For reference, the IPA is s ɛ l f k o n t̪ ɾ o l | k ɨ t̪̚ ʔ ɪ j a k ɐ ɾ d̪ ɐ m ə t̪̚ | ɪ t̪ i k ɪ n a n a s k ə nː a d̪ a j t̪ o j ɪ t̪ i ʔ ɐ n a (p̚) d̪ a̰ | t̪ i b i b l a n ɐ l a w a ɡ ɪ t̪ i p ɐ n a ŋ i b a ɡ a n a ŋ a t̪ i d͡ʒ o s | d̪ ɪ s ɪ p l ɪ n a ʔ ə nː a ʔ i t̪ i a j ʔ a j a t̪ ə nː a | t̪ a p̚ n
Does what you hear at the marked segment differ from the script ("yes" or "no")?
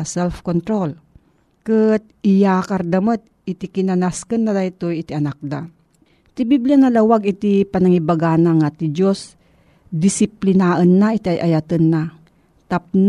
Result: yes